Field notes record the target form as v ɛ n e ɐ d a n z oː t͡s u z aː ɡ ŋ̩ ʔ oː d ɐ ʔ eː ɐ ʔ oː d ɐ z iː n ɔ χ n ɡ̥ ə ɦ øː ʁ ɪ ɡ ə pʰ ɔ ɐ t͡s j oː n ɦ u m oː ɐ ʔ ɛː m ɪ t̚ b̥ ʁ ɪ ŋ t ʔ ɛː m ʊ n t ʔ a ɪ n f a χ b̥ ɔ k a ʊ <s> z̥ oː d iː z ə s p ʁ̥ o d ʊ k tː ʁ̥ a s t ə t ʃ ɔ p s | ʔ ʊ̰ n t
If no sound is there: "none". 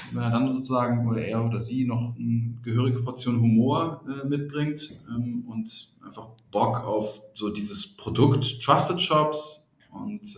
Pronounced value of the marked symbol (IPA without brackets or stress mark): f